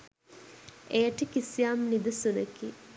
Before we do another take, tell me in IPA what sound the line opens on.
e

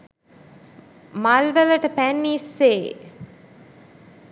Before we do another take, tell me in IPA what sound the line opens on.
m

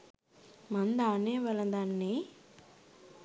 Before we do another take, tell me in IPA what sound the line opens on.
m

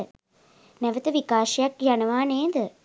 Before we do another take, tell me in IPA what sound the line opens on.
n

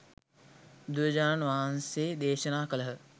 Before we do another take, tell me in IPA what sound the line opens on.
d̪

